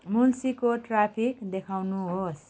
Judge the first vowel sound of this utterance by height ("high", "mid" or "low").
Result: high